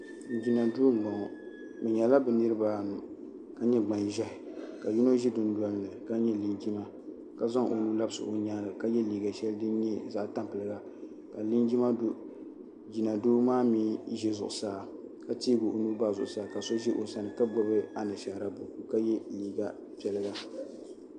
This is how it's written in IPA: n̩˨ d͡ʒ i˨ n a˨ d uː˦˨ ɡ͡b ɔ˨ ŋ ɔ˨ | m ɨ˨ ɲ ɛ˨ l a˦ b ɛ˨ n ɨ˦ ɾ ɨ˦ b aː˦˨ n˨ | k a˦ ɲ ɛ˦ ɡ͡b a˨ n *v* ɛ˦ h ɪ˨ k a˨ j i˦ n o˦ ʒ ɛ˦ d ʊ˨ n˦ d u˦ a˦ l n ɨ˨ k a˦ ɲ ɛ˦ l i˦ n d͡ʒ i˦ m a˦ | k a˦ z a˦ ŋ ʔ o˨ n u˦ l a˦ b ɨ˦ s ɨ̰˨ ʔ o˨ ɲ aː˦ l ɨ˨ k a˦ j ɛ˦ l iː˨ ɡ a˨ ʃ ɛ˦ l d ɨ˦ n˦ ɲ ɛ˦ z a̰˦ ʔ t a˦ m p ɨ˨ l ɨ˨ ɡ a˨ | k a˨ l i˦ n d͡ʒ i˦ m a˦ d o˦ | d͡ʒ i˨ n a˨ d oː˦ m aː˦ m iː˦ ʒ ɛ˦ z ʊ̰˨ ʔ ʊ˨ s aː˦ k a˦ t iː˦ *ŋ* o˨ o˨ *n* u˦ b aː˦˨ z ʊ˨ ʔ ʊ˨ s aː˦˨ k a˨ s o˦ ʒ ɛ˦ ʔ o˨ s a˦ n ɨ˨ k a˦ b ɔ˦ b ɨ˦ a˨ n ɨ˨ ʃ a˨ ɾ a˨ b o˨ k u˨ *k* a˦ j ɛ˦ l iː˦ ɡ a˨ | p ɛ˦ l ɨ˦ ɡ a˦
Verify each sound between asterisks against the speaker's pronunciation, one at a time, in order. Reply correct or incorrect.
incorrect, incorrect, correct, correct

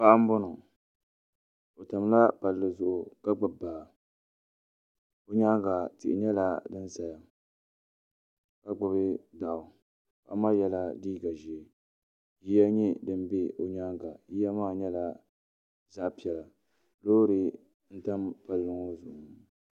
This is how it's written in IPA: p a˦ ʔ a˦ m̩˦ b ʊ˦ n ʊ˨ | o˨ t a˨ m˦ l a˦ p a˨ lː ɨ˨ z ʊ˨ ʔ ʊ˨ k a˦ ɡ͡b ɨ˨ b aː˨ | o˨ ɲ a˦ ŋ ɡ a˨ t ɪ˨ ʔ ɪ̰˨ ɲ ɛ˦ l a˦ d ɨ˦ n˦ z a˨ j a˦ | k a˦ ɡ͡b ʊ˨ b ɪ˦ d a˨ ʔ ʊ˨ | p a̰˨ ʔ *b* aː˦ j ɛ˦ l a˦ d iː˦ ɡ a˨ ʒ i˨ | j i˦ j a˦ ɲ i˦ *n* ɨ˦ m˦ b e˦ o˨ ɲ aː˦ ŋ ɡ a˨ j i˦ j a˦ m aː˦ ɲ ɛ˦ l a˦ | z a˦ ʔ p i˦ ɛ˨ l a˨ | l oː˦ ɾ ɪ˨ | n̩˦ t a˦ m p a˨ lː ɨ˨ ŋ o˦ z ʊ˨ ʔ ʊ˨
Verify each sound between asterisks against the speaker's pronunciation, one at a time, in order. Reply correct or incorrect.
incorrect, incorrect

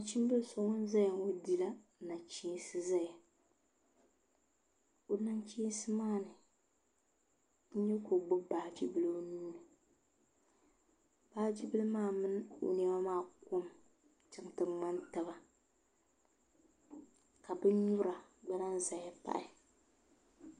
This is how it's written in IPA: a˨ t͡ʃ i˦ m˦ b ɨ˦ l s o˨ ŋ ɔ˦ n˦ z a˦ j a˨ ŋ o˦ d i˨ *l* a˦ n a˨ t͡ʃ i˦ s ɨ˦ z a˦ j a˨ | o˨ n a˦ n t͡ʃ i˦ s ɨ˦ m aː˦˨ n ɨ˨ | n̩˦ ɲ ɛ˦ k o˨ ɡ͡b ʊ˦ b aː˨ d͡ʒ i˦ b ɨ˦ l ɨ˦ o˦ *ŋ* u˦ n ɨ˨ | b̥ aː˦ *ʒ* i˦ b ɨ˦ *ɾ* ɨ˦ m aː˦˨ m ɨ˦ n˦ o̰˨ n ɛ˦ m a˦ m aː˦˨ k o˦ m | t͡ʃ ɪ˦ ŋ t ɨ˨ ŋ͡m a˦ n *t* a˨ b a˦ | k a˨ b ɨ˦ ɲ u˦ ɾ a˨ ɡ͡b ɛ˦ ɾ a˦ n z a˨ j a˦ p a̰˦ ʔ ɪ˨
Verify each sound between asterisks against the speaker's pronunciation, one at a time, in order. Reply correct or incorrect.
correct, incorrect, incorrect, incorrect, correct

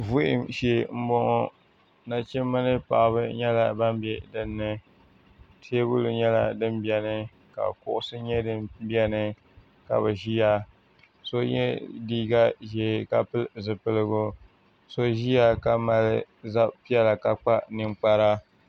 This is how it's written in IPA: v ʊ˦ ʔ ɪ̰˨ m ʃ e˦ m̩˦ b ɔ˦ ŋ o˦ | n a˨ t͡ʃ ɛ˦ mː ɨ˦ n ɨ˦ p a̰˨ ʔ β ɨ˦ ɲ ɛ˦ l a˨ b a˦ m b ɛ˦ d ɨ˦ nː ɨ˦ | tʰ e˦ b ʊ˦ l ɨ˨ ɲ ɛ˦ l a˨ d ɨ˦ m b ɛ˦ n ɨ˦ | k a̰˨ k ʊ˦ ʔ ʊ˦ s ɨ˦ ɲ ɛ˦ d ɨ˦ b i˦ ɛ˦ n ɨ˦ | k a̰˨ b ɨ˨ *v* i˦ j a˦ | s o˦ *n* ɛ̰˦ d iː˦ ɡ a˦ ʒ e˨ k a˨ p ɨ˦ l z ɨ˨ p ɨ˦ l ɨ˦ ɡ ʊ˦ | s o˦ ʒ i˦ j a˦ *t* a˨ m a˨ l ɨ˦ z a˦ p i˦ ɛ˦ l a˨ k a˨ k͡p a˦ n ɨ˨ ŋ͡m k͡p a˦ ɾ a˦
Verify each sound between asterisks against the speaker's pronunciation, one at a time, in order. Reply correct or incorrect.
incorrect, incorrect, incorrect

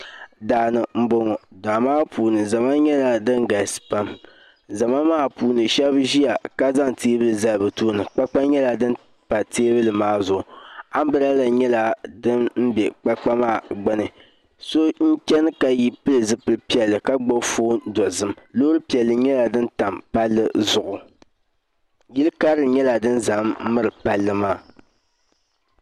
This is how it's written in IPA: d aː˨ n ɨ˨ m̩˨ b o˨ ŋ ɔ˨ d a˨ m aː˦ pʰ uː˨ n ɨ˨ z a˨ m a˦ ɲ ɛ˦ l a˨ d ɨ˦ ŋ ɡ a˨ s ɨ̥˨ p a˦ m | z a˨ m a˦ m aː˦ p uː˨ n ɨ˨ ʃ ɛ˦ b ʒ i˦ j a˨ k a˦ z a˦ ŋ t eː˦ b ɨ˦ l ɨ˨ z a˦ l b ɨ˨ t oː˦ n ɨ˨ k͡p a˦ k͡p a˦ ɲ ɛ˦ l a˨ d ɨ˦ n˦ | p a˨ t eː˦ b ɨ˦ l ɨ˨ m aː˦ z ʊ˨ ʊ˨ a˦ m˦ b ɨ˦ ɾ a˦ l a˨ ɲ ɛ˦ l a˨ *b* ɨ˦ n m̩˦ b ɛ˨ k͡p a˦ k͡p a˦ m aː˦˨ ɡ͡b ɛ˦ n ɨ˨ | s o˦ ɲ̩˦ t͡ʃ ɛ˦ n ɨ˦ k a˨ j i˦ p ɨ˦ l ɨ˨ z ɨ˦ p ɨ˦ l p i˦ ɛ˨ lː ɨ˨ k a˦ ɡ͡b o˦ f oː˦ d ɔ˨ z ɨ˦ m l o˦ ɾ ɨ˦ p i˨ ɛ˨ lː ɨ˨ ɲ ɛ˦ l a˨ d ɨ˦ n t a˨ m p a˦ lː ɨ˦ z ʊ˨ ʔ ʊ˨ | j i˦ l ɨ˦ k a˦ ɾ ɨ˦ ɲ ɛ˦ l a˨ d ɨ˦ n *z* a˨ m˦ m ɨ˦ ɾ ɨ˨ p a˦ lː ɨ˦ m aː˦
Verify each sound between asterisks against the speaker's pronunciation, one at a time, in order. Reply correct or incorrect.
incorrect, correct

